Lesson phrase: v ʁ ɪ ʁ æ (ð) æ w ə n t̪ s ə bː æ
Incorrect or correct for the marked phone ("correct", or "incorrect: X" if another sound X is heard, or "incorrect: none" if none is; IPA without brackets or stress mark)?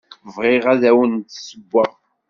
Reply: correct